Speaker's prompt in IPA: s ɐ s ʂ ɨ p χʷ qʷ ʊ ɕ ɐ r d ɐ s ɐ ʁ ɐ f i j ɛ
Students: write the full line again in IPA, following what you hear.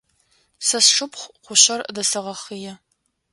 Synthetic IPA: s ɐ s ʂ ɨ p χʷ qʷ ʊ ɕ ɐ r d ɐ s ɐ ʁ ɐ χ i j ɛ